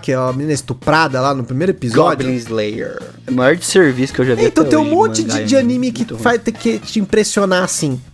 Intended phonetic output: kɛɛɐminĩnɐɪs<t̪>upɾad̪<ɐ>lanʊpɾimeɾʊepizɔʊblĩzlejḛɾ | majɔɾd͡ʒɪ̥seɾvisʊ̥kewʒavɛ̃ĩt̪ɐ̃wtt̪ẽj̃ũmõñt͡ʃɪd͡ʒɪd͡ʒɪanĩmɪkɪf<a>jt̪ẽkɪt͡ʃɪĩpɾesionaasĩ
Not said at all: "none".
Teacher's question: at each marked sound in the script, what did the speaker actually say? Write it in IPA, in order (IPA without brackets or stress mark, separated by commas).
t̪, ɐ, a